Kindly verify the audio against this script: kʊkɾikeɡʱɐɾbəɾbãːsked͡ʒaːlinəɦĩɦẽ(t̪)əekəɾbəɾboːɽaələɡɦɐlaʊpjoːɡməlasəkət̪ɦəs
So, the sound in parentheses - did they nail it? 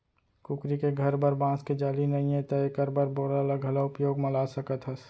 yes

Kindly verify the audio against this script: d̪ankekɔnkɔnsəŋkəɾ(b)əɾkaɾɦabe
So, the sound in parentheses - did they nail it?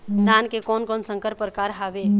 no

